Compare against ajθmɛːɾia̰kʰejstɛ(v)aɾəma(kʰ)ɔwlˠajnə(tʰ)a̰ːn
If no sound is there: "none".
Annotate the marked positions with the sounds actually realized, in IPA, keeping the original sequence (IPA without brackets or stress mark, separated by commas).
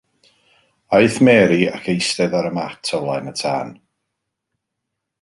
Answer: ð, tʰ, tʰ